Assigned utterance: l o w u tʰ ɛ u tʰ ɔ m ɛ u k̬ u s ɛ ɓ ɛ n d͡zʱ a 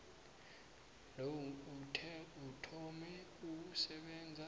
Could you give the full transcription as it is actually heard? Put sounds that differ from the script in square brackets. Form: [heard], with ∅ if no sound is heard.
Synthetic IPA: l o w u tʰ ɛ u tʰ ɔ m ɛ u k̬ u s ɛ ɓ ɛ n d͡zʱ a